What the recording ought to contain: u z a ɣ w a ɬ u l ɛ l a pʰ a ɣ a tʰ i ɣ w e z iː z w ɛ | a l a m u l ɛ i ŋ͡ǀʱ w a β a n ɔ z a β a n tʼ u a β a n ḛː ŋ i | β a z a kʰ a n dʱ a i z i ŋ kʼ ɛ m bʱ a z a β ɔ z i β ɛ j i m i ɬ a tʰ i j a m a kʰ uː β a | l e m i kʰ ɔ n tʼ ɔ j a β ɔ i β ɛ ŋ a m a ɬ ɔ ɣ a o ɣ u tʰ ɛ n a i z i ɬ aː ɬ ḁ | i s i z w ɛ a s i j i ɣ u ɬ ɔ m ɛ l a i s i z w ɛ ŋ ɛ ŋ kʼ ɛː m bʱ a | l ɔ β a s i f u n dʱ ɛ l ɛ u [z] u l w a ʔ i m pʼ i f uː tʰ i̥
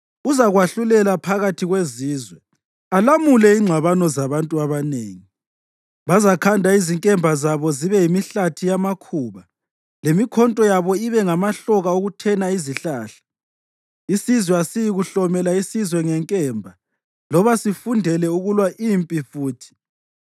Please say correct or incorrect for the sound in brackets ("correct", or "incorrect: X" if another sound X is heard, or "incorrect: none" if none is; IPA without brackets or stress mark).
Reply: incorrect: ɣ